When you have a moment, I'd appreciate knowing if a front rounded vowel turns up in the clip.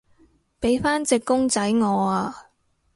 no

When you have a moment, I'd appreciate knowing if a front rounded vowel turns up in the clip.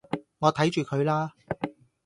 yes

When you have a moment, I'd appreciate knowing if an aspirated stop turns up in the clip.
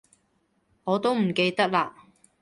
no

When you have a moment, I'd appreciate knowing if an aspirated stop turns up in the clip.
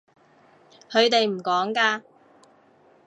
no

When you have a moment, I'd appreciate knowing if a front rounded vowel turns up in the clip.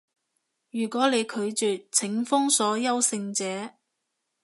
yes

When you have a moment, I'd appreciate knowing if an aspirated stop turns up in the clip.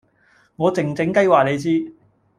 no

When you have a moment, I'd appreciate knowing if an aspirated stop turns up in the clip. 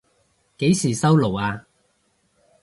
no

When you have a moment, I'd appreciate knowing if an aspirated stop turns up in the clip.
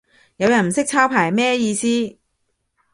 yes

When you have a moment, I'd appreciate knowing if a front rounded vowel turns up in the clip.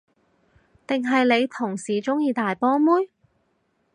no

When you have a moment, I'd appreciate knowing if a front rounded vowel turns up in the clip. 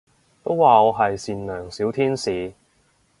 yes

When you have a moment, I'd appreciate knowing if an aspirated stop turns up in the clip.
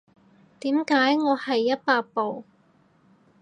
no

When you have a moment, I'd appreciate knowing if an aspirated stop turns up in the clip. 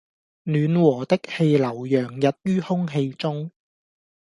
no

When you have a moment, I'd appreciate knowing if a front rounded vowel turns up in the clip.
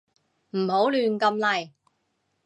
yes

